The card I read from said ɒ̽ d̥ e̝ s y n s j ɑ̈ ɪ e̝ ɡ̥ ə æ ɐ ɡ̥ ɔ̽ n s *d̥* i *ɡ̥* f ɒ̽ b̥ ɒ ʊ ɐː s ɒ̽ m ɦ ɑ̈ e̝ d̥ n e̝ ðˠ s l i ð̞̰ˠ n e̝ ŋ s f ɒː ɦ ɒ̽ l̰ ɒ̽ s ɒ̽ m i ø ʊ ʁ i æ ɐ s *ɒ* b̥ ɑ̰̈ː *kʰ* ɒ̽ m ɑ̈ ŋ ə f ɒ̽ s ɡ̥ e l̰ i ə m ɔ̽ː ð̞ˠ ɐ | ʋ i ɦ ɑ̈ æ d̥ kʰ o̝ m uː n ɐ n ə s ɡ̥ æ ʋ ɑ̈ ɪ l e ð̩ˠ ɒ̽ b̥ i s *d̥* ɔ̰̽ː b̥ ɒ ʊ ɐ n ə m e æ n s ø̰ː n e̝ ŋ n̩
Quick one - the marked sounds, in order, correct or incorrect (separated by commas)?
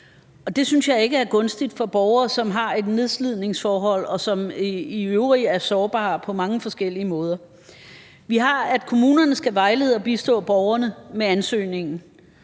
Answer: correct, incorrect, incorrect, incorrect, correct